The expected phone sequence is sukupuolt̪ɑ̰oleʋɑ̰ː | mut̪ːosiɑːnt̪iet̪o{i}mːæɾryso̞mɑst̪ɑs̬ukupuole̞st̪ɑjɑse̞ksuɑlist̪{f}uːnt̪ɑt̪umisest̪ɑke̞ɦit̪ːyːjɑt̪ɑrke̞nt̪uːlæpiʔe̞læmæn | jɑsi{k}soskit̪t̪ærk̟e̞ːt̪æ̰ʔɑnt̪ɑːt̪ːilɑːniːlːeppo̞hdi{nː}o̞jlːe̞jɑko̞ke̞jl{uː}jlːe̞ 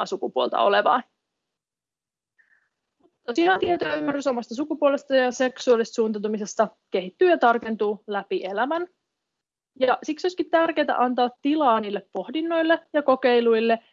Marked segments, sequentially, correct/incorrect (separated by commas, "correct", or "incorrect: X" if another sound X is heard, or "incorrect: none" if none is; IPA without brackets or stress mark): incorrect: y, incorrect: s, correct, correct, incorrect: u